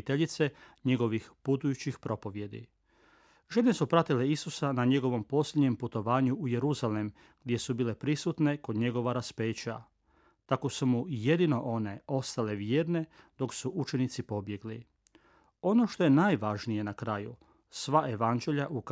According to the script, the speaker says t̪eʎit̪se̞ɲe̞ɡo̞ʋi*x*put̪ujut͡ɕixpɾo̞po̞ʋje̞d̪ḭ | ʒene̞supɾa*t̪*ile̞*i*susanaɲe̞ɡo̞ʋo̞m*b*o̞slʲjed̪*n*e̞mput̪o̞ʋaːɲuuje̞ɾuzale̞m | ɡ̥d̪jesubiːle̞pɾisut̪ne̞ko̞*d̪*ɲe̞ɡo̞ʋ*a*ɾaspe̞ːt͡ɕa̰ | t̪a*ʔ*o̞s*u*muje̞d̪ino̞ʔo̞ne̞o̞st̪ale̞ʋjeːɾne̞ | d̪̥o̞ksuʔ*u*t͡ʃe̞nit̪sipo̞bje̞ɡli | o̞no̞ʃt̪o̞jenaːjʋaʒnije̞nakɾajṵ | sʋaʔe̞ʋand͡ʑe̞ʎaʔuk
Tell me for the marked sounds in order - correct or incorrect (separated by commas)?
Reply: correct, correct, correct, incorrect, incorrect, correct, correct, incorrect, correct, correct